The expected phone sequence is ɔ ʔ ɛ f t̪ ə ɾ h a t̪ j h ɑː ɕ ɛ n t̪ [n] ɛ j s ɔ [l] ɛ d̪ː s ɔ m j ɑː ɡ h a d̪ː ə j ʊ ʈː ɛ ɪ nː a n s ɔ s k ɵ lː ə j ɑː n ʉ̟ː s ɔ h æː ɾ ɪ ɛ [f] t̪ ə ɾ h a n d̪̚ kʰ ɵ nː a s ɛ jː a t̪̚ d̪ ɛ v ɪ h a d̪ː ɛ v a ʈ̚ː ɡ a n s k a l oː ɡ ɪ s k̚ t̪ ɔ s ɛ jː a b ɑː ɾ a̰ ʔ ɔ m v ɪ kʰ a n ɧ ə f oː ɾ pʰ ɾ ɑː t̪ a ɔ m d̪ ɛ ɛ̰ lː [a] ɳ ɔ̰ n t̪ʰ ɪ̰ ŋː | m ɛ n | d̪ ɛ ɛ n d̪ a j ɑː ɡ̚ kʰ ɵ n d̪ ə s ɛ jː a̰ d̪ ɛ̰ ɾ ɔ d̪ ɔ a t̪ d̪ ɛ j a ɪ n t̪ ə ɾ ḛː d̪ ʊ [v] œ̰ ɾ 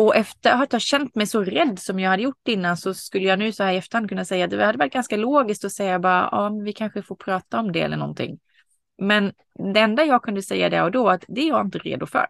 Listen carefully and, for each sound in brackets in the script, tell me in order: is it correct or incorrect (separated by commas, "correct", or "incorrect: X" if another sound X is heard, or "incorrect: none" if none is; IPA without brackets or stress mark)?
incorrect: m, incorrect: ɾ, correct, incorrect: ə, incorrect: f